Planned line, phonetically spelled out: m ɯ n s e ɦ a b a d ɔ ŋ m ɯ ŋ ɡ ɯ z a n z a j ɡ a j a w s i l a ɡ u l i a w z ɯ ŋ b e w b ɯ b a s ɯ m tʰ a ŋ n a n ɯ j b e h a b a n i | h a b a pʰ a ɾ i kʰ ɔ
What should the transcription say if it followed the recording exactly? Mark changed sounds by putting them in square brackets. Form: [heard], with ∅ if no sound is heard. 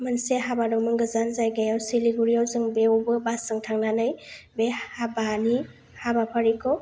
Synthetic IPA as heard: m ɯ n s e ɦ a b a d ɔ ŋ m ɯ ŋ ɡ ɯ z a n z a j ɡ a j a w s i l [i] ɡ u [ɾ] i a w z ɯ ŋ b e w b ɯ b a s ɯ [ŋ] tʰ a ŋ n a n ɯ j b e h a b a n i | h a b a pʰ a ɾ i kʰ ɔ